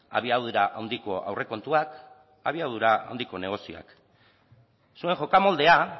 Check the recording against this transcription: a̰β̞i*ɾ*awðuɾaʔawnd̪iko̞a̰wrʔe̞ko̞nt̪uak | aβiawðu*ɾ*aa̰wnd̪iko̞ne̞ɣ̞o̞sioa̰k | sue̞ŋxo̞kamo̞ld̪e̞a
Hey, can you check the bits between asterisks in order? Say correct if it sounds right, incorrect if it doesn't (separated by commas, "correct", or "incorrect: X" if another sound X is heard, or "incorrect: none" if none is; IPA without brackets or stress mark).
incorrect: none, correct